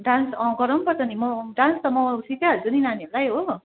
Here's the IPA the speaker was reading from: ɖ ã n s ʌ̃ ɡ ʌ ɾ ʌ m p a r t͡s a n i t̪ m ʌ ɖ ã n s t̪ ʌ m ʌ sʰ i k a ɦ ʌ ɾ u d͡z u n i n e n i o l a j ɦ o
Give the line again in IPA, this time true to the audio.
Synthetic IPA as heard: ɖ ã n s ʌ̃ ɡ ʌ ɾ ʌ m p ʌ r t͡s ʌ n i m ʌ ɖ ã n s t̪ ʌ m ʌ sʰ i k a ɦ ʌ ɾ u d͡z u n i n a n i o l a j ɦ o